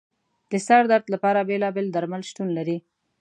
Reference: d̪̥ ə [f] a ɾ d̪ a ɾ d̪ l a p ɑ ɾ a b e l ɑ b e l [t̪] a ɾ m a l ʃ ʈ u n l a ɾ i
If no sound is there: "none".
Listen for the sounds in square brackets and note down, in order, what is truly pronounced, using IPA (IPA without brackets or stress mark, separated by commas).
s, d̪